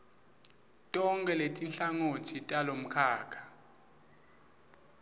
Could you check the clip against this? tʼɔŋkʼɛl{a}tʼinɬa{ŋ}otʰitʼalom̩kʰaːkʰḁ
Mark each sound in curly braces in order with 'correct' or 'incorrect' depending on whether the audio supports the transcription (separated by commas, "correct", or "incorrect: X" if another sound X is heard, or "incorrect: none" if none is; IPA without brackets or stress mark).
incorrect: e, correct